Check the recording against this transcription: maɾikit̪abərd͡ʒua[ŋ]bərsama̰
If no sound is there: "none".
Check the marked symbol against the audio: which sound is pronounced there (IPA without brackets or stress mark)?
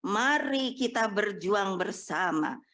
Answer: ŋ